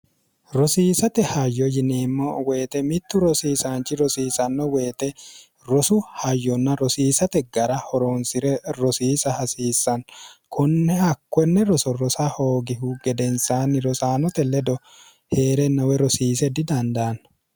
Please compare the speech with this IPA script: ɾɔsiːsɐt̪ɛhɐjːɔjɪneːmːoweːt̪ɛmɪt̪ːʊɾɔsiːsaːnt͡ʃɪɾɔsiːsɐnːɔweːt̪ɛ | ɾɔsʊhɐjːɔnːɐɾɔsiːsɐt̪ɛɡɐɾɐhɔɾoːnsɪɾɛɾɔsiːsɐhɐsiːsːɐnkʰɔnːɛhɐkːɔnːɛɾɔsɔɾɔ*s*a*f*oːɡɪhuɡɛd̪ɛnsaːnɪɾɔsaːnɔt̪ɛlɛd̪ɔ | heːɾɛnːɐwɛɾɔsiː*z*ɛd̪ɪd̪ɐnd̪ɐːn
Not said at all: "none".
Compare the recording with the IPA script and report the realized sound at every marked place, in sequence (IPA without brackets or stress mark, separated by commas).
s, h, s